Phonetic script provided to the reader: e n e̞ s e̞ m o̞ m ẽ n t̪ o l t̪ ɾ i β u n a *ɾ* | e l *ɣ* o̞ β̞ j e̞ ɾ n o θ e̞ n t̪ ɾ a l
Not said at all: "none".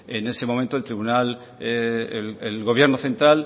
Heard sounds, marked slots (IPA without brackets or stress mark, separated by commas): l, ɣ